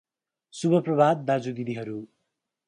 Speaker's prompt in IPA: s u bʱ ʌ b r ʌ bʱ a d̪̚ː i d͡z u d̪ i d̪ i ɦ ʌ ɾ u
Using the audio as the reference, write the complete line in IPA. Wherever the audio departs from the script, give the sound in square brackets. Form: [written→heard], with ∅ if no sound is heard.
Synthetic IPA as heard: s u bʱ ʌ [b→p] r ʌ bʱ a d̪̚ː [i→a] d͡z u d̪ i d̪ i ɦ ʌ ɾ u